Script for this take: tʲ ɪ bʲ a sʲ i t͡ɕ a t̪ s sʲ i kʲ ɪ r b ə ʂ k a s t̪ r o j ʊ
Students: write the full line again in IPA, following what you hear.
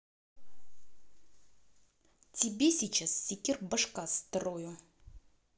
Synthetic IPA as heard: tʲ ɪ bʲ e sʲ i t͡ɕ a s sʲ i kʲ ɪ r b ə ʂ k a s t̪ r o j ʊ